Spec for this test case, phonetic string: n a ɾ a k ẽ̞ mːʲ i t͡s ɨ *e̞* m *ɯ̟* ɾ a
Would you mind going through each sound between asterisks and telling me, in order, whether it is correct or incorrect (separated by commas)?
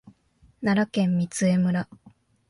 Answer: correct, correct